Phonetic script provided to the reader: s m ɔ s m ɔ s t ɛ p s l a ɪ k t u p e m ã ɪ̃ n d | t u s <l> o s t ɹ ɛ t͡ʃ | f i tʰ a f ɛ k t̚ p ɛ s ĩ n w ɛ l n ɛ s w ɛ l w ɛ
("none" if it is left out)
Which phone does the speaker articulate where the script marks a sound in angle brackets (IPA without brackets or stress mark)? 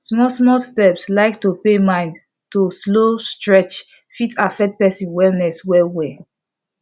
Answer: l